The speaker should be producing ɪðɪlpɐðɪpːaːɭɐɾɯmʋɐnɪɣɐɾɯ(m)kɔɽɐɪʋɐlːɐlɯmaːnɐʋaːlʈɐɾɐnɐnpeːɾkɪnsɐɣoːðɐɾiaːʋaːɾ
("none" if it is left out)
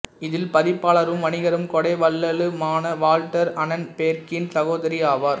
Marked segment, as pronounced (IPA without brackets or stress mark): m